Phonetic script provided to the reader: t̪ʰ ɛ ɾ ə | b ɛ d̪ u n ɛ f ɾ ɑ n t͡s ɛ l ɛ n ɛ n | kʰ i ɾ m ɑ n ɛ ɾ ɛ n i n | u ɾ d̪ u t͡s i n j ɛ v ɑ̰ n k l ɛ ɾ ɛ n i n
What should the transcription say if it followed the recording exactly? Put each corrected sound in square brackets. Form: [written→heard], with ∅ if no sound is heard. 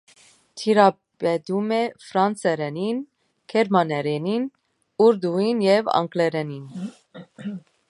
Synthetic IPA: t̪ʰ [ɛ→i] ɾ [ə→ɑ] | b ɛ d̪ u [n→m] ɛ f ɾ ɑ n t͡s ɛ [l→ɾ] ɛ n [ɛ→i] n | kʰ [i→ɛ] ɾ m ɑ n ɛ ɾ ɛ n i n | u ɾ d̪ u [t͡s→∅] i n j ɛ v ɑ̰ [n→ŋ] k l ɛ ɾ ɛ n i n